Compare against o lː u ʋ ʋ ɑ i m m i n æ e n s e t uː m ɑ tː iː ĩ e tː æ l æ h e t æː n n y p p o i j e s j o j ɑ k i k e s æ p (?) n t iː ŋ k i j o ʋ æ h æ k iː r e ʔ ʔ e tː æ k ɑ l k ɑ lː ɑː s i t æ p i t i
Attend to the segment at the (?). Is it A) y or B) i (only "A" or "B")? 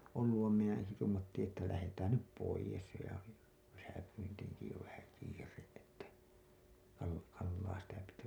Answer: A